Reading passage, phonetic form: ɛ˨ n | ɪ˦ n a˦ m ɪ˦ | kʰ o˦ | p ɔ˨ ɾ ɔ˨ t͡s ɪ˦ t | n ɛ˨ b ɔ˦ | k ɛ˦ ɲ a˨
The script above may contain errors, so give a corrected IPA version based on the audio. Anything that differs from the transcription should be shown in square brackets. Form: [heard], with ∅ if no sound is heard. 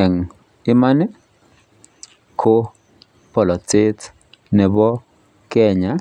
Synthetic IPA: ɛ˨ [ŋ] | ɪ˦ [m] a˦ [n] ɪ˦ | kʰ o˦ | p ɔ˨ [l] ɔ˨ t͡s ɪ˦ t | n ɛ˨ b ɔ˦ | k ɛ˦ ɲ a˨